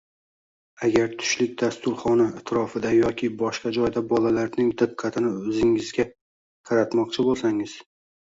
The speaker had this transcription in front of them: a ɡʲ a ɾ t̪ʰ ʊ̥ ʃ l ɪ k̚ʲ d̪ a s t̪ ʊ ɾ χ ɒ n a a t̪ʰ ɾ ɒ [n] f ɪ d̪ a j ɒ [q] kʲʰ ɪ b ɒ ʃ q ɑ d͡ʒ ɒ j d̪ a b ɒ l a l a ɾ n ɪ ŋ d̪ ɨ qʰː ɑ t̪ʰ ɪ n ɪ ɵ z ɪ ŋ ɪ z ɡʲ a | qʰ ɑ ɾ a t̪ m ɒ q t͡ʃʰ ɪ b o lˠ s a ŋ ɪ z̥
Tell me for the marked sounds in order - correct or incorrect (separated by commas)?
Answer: incorrect, incorrect